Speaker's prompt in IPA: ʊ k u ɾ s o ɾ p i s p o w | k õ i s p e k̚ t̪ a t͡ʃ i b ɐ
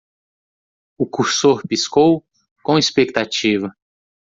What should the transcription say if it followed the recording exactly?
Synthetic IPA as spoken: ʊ k u ɾ s o ɾ p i s k o w | k õ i s p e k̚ t̪ a t͡ʃ i v ɐ